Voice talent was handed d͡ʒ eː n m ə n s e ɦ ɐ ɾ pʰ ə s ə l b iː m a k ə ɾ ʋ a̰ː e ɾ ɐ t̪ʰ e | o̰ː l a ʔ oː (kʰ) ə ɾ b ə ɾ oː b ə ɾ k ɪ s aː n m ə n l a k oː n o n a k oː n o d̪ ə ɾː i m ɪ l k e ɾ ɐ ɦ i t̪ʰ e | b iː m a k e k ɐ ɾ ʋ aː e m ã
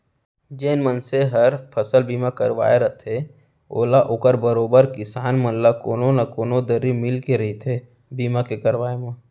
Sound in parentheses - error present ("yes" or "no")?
yes